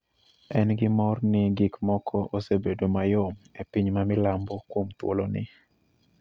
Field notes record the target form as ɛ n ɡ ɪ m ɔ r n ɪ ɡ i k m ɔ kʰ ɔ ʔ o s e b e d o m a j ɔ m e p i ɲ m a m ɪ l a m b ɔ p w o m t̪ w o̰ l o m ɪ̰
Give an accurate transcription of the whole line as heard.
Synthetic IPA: ɛ n ɡ ɪ m ɔ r n ɪ ɡ i k m ɔ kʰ ɔ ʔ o s e b e d o m a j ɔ m e p i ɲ m a m ɪ l a m b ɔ k w o m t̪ w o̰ l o n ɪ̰